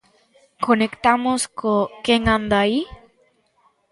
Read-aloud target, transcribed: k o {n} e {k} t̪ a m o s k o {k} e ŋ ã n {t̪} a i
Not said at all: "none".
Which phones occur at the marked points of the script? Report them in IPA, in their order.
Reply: n, k, k, d̪

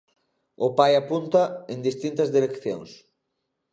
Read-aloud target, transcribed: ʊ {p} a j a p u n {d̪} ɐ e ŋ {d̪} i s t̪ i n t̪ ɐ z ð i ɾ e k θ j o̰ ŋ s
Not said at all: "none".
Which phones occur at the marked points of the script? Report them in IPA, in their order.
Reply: p, t̪, d̪

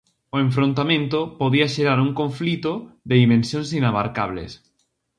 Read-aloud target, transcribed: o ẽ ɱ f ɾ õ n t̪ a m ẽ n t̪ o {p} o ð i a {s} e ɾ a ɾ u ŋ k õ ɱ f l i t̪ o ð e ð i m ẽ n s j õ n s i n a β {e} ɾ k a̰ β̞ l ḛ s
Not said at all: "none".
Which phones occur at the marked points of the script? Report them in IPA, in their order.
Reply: p, ʃ, a

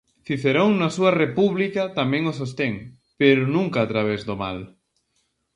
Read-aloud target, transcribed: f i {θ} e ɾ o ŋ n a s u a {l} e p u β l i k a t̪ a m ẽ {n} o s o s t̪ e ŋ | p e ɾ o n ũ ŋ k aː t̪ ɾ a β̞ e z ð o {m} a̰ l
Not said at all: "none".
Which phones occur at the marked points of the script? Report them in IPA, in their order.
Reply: θ, r, ŋ, m

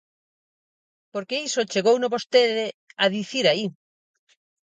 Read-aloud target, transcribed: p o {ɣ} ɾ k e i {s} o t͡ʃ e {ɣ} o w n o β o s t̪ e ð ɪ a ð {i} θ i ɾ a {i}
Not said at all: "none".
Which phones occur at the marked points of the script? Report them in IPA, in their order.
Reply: none, s, ɣ, i, i

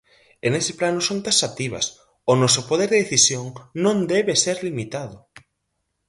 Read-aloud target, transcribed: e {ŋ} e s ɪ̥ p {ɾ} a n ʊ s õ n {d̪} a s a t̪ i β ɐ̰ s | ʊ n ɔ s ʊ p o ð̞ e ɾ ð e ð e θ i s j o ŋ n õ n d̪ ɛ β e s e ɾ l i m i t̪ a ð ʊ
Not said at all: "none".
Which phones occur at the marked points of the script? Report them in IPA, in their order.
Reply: n, l, t̪

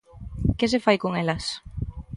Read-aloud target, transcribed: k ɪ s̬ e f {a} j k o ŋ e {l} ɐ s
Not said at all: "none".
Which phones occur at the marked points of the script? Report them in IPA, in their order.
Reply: a, l

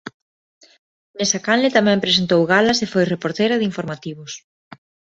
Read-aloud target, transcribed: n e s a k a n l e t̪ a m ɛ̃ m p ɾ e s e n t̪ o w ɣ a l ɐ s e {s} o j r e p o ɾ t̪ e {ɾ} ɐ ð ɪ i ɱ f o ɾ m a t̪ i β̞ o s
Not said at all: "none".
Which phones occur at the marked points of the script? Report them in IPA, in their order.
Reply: f, ɾ

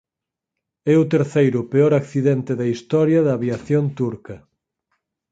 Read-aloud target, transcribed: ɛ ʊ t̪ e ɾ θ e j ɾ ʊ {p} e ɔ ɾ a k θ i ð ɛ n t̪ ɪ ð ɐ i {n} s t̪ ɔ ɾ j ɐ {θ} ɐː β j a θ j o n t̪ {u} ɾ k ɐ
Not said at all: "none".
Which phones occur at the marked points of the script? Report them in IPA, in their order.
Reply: p, none, ð, u

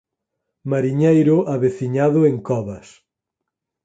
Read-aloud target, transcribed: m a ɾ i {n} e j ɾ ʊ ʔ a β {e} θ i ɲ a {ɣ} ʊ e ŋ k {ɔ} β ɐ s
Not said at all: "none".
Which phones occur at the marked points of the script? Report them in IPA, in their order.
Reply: ɲ, e, ð, ɔ

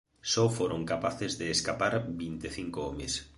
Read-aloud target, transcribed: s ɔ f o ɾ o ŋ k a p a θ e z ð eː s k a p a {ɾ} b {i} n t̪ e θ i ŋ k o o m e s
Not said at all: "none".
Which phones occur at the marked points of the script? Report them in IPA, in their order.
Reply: ɾ, i

